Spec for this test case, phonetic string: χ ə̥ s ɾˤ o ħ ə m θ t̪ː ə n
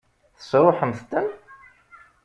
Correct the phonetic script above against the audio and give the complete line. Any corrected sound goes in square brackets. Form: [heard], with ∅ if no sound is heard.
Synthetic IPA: [θ] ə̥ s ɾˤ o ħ ə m θ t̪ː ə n